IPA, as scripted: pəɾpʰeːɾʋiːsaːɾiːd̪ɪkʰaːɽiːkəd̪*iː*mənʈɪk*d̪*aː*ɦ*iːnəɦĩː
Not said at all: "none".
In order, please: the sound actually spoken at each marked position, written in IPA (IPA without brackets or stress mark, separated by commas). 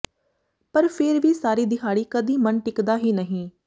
iː, d̪, ɦ